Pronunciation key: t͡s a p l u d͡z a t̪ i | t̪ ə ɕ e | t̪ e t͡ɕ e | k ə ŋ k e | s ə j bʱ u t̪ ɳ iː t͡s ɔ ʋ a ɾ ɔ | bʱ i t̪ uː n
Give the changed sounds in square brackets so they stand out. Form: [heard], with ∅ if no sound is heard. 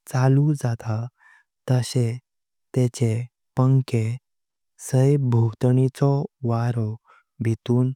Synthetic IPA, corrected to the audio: t͡s a [∅] l u d͡z a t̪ [a] | t̪ ə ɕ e | t̪ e t͡ɕ e | [p] ə ŋ k e | s ə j bʱ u t̪ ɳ [i] t͡s ɔ ʋ a ɾ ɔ | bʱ i t̪ uː n